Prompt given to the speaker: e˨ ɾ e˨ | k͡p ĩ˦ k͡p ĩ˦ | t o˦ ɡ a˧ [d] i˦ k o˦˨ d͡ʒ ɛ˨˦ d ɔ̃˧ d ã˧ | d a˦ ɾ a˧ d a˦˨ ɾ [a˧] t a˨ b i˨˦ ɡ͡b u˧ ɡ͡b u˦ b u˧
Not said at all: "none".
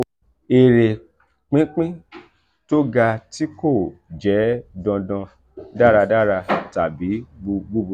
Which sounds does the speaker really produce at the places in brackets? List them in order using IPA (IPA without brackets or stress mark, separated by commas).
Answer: t, a˧